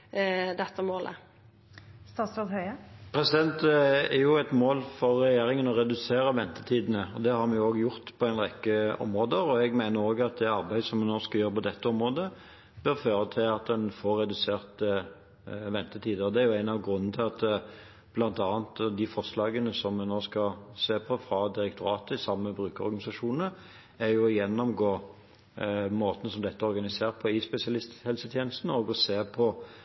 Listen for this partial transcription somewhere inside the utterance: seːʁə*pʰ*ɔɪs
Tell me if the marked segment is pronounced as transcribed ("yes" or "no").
yes